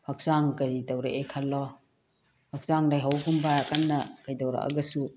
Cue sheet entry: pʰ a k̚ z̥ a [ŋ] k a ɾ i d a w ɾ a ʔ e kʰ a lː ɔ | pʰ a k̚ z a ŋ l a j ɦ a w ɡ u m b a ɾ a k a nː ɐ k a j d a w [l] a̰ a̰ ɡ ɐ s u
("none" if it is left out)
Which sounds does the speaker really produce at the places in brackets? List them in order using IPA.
ŋ, ɾ

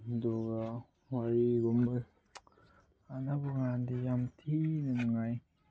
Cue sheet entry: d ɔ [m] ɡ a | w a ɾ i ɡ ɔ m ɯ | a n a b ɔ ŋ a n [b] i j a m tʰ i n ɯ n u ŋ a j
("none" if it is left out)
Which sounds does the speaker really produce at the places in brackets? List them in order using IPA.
none, d

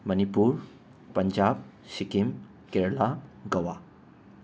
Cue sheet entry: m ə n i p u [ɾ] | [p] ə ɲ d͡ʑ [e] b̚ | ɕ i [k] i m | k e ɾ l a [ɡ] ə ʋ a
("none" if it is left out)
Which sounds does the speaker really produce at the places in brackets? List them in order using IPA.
ɾ, p, a, k, ɡ

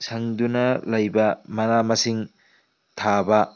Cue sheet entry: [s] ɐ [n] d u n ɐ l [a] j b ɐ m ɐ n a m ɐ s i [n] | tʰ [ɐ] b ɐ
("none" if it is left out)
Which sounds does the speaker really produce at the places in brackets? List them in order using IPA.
s, ŋ, ɐ, ŋ, a

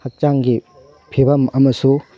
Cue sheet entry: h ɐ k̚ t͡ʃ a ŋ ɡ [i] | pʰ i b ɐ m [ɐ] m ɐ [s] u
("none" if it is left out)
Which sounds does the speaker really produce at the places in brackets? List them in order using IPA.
i, ɐ, s

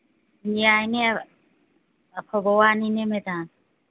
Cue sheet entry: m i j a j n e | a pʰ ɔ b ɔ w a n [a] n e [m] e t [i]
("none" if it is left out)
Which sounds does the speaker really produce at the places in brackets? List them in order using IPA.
i, m, a

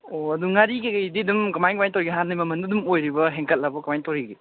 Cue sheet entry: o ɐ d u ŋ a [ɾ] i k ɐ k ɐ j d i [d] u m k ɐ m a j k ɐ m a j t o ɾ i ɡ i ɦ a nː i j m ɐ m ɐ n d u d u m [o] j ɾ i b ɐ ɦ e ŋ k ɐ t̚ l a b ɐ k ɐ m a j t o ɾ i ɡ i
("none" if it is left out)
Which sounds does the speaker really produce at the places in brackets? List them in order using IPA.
ɾ, d, o

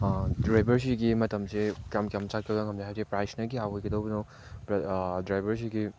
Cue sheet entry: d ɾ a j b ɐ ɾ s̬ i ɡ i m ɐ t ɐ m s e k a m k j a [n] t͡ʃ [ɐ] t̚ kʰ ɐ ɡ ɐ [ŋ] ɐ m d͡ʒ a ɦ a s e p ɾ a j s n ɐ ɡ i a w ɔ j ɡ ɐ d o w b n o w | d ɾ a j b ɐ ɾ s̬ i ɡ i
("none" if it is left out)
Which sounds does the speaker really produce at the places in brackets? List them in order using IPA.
m, a, ŋ

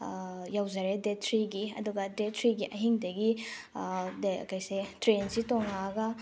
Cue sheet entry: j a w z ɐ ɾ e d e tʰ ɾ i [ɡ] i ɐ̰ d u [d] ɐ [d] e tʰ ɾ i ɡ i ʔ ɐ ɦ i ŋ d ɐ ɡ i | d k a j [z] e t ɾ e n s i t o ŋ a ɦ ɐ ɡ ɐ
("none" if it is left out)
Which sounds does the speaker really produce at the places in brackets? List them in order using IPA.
ɡ, ɡ, d, s

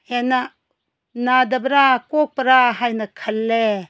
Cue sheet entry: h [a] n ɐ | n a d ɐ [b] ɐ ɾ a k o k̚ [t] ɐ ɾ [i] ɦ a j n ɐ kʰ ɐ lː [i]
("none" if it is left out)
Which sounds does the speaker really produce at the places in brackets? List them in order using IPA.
e, b, p, a, e

